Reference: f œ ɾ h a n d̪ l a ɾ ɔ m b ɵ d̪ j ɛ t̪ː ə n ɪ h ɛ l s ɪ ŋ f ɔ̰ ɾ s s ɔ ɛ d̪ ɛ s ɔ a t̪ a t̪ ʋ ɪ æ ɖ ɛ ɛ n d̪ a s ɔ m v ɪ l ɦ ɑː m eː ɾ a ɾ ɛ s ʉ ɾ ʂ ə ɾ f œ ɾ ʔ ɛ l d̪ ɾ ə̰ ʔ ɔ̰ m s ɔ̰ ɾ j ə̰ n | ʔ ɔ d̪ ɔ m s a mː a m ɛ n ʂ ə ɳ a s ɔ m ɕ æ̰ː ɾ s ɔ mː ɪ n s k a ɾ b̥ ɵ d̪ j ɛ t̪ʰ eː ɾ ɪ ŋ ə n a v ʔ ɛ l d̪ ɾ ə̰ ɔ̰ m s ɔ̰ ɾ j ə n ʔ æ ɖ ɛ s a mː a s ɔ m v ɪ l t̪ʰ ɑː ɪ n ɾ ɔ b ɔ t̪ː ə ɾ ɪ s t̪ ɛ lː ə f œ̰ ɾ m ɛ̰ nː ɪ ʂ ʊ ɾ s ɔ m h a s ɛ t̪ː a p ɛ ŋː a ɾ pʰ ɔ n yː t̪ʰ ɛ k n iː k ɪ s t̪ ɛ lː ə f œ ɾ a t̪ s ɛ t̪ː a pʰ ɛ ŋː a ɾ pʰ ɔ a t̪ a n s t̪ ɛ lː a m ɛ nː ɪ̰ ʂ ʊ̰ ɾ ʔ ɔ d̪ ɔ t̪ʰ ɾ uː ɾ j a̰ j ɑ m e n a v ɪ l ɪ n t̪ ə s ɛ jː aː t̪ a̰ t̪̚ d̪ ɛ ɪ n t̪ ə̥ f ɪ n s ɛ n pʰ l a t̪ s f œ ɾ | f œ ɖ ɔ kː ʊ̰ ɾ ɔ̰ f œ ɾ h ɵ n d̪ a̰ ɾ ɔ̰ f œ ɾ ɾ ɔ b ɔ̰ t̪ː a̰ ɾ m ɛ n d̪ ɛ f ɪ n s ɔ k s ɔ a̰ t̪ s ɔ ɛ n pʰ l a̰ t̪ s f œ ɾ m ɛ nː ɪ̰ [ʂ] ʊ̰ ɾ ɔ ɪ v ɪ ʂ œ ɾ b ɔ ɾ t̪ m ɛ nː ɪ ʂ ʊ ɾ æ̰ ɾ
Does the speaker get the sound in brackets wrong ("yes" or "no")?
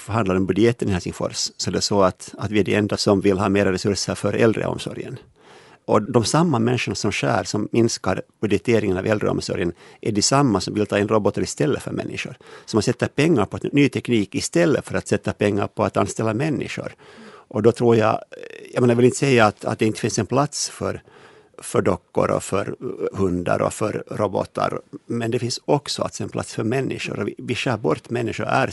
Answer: no